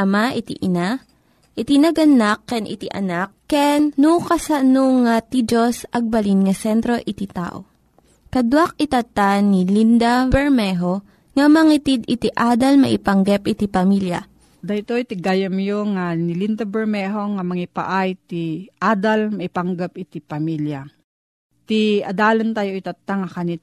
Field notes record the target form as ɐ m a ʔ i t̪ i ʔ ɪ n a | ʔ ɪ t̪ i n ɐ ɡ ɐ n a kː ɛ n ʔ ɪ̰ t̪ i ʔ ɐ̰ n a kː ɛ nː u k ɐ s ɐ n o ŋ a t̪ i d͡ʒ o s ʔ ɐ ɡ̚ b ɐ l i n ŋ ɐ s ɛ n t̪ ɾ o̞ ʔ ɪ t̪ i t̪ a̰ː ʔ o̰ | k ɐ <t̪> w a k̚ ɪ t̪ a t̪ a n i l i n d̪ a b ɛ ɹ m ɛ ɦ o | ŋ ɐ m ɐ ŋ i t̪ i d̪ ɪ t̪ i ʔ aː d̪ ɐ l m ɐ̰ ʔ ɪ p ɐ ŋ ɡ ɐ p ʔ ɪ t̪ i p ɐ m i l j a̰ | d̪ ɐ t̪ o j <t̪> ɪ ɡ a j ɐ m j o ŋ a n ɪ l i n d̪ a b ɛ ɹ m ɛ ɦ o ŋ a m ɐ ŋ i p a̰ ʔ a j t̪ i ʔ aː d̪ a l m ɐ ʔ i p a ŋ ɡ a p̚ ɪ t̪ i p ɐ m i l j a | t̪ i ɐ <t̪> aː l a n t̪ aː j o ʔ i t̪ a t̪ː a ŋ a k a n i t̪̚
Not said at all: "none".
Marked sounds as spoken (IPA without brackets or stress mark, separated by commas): d̪, t̪, d̪